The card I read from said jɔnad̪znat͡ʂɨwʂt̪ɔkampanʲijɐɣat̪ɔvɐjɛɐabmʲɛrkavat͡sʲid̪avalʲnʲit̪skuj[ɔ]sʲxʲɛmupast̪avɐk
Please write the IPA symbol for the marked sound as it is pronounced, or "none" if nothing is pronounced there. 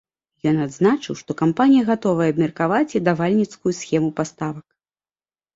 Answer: u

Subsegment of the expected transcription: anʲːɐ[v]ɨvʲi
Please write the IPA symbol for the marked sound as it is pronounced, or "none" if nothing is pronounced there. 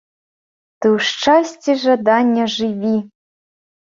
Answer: ʐ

